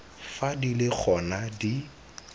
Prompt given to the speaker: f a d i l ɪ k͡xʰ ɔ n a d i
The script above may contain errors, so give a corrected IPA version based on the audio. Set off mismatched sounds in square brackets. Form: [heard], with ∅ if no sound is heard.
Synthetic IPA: f a d i l ɪ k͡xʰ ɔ n a d i

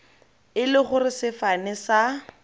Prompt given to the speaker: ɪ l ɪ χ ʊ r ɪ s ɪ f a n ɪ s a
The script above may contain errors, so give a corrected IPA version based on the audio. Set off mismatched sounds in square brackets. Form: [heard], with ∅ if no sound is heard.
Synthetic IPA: ɪ l ɪ χ ʊ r ɪ s ɪ f a n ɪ s a

